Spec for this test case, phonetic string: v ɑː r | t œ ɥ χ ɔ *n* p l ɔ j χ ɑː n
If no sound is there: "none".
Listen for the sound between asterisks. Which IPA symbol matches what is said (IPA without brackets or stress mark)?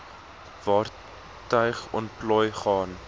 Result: n